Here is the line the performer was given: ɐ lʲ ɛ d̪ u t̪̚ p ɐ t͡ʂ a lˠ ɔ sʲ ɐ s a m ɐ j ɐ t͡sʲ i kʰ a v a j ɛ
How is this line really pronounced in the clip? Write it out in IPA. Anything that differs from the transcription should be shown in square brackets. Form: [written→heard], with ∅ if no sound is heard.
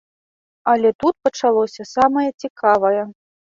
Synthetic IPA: ɐ lʲ ɛ [d̪→t̪] u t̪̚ p ɐ t͡ʂ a lˠ ɔ sʲ ɐ s a m ɐ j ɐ t͡sʲ i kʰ a v [a→ɐ] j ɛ